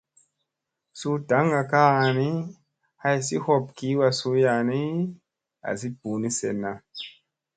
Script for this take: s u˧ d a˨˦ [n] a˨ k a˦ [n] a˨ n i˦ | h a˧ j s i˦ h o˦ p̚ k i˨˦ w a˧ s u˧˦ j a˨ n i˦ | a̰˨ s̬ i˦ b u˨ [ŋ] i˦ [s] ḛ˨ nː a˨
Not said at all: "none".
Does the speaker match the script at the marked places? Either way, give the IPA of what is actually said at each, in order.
ŋ, none, n, s

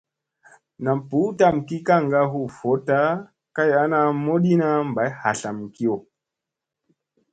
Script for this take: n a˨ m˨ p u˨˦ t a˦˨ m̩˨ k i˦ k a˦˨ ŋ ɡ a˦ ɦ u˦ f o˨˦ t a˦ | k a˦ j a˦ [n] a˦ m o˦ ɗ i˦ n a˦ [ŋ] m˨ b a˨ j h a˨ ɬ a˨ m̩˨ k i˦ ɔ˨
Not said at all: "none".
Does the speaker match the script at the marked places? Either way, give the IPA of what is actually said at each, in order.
n, none

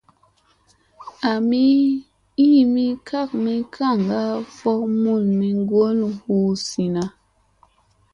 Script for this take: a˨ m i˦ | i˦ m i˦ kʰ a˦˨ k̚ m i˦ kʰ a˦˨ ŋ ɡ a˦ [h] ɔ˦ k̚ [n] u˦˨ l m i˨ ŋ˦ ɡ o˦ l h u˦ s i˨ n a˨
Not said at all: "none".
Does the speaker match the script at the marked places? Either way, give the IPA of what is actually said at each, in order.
f, m

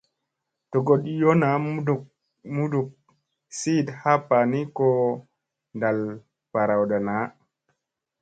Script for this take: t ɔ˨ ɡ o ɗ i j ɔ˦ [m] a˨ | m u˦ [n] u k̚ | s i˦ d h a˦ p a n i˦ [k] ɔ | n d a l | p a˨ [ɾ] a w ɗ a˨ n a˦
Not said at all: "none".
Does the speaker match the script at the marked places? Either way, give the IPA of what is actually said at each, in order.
n, d, k, ɾ

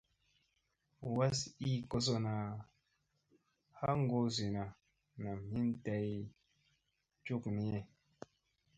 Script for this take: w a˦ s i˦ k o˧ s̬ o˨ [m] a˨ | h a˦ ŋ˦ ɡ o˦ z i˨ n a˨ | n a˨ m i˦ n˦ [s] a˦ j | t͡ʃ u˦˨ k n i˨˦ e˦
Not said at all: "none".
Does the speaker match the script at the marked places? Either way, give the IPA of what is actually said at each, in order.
n, t

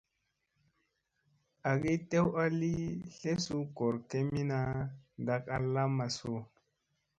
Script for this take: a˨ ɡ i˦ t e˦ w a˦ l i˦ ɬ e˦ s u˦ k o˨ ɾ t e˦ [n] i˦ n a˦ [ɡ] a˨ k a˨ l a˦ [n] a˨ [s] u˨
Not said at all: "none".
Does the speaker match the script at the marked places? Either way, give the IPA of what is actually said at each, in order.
m, d, m, s

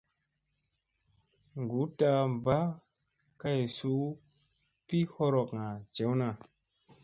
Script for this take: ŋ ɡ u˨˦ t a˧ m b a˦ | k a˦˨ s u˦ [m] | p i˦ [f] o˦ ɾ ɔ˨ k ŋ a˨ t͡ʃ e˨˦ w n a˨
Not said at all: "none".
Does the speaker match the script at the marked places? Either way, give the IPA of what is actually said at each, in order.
none, h

